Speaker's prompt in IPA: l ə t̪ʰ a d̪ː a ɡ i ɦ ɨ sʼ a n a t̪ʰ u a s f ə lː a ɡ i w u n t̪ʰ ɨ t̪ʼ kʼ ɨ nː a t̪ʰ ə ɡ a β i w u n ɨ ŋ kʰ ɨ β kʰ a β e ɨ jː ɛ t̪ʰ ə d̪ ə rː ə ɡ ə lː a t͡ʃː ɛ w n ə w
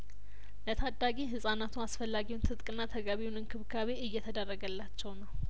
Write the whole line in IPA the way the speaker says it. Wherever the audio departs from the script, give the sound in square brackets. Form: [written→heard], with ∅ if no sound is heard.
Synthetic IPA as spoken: l ə t̪ʰ a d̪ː a ɡ i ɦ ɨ sʼ a n a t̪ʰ u a s f ə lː a ɡ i w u n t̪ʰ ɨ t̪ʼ kʼ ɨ nː a t̪ʰ ə ɡ a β i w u n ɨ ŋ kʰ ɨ β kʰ a β e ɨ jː ɛ t̪ʰ ə d̪ ə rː ə ɡ ə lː a t͡ʃː ɛ w n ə w